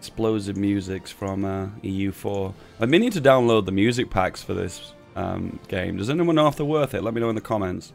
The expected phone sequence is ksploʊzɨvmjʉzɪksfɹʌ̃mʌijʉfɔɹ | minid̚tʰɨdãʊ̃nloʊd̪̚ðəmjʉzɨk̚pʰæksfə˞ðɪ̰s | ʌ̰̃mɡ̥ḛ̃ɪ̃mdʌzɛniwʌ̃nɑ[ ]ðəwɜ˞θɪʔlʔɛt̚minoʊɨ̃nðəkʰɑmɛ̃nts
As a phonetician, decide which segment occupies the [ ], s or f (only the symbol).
f